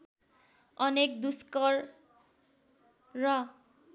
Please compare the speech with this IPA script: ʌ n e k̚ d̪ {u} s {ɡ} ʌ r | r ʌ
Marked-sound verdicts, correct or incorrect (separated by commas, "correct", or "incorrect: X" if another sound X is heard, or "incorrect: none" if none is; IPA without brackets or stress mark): correct, incorrect: k